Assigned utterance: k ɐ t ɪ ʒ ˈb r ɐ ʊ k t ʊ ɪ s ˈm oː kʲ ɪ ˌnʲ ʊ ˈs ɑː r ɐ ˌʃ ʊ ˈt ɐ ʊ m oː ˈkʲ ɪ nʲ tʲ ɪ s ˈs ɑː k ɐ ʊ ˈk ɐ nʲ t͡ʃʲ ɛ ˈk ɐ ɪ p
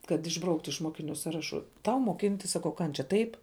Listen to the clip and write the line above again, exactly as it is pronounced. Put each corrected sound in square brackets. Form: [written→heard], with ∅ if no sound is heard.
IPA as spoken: k ɐ t ɪ ʒ ˈb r ɐ ʊ k t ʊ ɪ [s→ʃ] ˈm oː kʲ ɪ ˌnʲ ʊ ˈs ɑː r ɐ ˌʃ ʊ ˈt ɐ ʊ m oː ˈkʲ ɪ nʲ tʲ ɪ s ˈs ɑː k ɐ ʊ ˈk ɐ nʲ t͡ʃʲ ɛ [ˈk→ˈt] ɐ ɪ p